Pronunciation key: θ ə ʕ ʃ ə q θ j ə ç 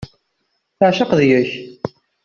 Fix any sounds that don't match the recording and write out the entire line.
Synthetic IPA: θ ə ʕ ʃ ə q ð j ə ç